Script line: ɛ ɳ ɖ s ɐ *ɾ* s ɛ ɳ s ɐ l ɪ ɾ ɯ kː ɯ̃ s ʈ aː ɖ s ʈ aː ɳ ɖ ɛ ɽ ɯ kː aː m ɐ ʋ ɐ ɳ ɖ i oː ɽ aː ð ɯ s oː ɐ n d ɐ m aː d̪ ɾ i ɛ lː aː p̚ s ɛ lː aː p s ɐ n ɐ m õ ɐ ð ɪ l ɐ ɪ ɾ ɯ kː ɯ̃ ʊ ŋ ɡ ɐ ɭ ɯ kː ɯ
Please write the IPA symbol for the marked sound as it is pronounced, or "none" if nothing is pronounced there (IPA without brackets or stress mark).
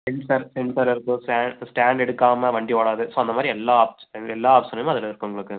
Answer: ɾ